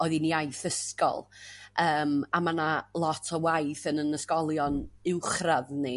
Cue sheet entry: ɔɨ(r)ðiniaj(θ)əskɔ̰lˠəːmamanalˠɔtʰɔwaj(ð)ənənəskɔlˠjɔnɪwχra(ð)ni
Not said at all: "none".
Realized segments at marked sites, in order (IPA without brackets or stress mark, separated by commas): none, θ, θ, ð